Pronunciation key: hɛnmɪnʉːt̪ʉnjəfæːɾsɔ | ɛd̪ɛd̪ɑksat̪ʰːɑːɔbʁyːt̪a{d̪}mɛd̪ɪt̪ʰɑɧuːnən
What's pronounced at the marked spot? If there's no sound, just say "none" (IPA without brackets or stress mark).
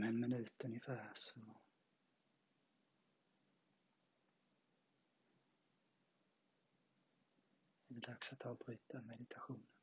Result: none